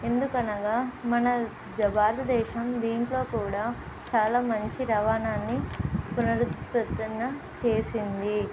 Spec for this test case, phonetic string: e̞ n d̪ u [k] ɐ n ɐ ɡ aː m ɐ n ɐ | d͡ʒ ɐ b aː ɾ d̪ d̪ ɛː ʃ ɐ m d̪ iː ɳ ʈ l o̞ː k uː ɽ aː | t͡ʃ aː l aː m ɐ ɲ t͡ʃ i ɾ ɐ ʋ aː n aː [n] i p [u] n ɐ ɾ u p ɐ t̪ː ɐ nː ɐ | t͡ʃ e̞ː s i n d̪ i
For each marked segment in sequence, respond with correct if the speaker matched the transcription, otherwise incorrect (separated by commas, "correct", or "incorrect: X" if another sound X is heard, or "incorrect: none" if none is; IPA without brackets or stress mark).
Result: correct, incorrect: nː, correct